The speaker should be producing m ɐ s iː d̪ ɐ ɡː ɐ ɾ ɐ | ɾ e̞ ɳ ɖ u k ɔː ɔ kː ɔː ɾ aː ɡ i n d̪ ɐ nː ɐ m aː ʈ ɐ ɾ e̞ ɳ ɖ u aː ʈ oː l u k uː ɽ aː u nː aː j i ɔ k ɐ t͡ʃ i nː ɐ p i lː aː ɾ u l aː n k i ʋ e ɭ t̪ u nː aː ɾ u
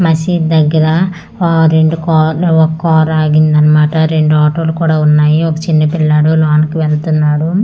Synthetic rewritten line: m ɐ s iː d̪ ɐ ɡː ɐ ɾ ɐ | ɾ e̞ ɳ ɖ u k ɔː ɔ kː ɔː ɾ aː ɡ i n d̪ ɐ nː ɐ m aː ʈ ɐ ɾ e̞ ɳ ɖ u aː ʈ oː l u k uː ɽ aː u nː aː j i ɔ k ɐ t͡ʃ i nː ɐ p i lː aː ɽ u l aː n k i ʋ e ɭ t̪ u nː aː ɽ u